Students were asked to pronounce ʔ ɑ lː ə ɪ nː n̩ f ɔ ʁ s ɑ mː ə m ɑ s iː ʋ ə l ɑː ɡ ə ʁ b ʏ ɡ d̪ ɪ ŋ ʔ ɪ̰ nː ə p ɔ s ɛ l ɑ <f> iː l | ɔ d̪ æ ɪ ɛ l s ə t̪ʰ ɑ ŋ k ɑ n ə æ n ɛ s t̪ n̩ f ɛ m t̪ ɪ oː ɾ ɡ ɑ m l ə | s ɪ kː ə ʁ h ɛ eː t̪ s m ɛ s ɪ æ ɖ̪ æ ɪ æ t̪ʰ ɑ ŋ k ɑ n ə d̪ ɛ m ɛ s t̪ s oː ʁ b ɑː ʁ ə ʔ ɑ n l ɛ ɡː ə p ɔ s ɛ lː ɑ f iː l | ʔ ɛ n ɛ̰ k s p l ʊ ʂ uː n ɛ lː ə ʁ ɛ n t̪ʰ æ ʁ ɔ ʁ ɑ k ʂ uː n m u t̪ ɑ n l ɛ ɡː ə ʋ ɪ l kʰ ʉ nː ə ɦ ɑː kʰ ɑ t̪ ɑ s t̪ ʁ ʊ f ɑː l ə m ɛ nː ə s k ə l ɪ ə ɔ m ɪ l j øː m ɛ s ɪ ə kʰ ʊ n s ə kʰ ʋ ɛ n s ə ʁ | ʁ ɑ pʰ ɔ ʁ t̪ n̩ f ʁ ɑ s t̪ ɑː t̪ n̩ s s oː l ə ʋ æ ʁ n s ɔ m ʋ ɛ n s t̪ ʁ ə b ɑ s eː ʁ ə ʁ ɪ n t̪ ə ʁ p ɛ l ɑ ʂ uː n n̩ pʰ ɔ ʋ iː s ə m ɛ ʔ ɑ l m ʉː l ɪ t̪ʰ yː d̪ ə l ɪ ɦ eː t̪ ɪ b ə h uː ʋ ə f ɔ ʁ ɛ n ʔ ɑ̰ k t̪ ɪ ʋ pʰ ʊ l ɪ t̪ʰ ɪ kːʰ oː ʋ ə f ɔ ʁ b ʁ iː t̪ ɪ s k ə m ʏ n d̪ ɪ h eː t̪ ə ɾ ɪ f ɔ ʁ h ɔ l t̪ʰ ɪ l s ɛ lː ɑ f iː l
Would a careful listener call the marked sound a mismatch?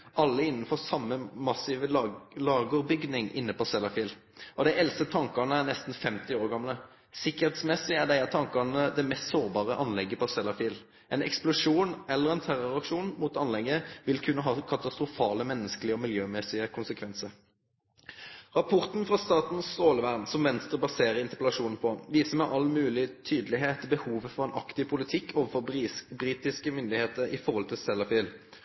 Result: no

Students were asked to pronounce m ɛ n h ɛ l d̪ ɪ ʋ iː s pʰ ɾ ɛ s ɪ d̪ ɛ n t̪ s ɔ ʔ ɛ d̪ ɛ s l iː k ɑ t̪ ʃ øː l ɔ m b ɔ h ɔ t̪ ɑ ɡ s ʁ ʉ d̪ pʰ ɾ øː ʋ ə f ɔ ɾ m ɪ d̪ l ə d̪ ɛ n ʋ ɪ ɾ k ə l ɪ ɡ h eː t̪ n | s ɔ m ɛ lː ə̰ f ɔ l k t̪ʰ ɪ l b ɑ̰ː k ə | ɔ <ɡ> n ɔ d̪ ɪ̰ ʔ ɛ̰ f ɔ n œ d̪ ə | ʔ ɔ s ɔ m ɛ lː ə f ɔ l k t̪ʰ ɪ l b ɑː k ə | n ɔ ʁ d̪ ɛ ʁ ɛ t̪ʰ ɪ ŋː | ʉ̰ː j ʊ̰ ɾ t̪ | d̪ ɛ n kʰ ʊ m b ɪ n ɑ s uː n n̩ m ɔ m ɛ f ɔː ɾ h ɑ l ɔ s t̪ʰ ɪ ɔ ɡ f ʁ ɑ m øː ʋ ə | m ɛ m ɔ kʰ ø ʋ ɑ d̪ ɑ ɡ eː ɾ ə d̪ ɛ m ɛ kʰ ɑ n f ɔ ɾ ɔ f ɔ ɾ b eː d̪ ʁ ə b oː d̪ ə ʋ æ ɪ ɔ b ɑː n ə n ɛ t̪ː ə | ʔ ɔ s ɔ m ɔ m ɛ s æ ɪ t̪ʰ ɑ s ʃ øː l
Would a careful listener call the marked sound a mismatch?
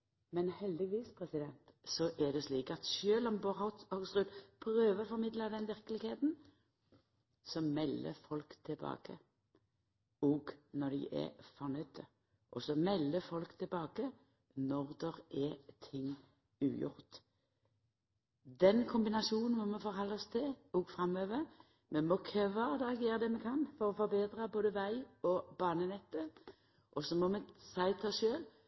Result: no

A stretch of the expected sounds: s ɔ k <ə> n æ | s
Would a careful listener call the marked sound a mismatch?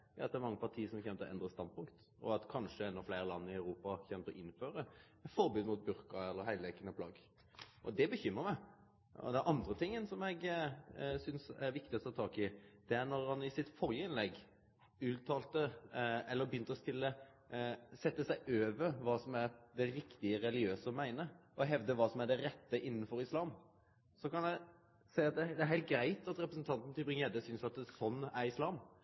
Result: yes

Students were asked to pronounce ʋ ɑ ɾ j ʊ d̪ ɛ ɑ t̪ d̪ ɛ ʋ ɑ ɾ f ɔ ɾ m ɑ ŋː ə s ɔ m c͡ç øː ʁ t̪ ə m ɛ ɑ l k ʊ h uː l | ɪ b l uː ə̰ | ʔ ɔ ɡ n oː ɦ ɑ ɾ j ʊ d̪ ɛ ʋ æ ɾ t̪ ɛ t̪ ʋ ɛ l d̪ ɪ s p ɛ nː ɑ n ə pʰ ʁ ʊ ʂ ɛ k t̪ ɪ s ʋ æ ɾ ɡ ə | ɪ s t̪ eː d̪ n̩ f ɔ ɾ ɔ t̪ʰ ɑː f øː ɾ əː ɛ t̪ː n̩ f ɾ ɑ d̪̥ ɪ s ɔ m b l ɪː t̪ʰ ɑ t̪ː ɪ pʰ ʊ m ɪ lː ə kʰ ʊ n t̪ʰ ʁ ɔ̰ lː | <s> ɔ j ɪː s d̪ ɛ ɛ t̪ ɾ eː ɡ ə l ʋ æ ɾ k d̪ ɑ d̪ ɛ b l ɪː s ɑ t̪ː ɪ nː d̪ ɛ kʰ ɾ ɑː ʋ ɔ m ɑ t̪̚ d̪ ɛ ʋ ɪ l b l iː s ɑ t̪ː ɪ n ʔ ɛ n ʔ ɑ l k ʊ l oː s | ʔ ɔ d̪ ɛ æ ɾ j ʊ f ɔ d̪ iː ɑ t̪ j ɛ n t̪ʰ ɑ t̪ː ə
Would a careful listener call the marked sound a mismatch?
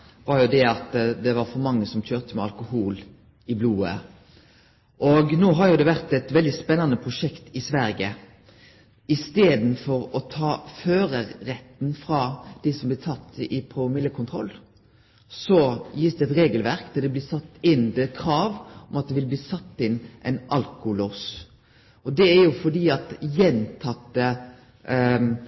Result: no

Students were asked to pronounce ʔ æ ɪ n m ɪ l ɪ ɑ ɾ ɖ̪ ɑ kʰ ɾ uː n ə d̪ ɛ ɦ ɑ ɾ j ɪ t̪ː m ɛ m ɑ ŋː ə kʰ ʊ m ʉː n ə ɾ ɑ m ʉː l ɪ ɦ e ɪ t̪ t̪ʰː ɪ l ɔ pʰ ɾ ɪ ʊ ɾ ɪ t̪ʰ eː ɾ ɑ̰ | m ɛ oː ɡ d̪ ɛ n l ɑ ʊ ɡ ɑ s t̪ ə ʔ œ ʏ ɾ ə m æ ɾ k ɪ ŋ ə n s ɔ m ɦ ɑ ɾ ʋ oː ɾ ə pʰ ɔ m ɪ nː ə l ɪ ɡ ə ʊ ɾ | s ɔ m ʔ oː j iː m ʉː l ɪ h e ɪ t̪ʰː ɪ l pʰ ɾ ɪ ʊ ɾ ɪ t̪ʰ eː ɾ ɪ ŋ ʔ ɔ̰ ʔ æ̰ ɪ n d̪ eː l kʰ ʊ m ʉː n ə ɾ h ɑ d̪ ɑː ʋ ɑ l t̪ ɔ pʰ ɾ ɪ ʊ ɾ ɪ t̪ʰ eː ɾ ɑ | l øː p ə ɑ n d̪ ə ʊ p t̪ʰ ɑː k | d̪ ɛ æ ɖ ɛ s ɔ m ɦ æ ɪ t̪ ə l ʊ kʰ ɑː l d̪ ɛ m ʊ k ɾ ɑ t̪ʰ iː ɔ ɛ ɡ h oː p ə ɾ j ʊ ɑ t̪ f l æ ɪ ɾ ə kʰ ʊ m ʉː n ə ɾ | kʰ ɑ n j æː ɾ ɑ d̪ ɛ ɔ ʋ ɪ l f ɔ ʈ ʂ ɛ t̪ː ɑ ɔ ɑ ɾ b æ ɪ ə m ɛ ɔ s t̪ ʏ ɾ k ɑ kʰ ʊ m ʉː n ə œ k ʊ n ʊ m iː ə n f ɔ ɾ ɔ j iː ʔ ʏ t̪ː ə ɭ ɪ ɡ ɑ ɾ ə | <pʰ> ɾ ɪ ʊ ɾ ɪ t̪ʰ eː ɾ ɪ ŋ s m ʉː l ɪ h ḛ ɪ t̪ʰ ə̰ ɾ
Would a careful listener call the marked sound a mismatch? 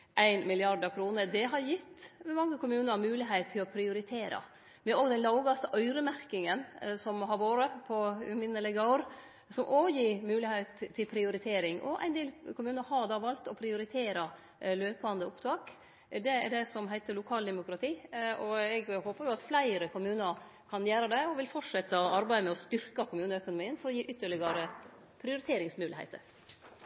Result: no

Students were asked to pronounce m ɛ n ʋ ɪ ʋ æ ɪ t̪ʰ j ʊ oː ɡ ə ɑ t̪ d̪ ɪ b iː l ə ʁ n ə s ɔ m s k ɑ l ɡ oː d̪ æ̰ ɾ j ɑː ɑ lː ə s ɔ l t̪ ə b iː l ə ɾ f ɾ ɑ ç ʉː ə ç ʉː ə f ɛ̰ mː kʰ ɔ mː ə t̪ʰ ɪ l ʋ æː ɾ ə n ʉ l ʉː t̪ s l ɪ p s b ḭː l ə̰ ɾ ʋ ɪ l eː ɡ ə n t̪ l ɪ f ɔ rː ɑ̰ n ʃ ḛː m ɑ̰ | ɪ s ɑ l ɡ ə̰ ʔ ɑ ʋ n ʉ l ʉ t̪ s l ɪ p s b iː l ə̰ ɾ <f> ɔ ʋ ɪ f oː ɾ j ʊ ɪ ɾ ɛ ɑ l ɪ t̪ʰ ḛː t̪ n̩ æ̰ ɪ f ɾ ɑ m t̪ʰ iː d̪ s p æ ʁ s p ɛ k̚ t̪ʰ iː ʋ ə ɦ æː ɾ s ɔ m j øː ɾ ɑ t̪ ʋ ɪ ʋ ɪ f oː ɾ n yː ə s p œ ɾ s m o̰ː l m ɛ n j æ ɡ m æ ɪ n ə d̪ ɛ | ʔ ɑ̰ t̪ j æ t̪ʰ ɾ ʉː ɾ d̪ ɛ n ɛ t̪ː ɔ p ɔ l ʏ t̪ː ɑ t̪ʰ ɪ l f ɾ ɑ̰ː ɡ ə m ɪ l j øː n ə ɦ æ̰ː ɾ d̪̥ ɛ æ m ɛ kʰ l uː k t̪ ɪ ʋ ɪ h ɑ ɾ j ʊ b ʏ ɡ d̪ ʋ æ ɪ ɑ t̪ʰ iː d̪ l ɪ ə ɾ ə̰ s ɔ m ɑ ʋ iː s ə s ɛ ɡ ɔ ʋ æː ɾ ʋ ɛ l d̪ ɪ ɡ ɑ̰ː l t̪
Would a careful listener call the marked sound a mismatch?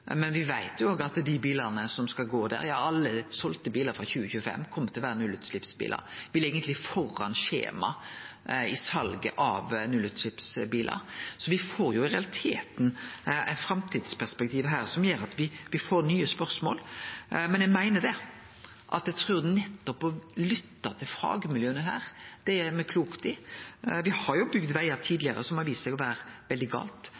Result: yes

